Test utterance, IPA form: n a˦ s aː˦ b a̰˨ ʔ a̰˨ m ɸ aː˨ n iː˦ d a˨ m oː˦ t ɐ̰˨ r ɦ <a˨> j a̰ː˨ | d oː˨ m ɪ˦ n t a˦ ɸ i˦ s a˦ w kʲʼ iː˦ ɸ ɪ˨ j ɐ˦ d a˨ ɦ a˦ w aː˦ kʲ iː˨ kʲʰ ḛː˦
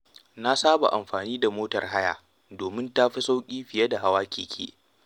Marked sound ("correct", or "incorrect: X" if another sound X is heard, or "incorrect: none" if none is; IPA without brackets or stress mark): incorrect: a˦